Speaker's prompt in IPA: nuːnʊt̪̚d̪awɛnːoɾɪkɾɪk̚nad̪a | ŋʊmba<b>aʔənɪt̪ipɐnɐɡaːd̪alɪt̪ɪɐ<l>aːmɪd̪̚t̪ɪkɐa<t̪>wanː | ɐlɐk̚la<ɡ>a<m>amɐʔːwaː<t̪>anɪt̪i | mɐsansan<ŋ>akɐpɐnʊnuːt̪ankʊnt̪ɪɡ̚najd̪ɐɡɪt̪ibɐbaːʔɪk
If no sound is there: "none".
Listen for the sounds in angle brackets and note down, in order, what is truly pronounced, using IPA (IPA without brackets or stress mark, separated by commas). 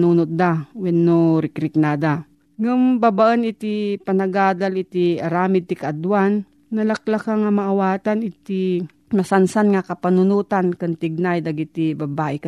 b, ɾ, d̪, k, ŋ, t̪, ŋ